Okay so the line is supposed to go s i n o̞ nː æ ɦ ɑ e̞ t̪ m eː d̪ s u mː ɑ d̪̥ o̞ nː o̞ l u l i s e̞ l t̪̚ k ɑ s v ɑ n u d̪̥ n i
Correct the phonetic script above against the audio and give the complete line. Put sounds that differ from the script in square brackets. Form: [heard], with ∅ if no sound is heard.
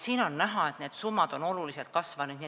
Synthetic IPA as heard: s [iː] n o̞ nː æ ɦ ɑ e̞ t̪ [n] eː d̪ s u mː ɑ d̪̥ o̞ [n] o̞ l u l i s e̞ l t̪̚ k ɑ s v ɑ n u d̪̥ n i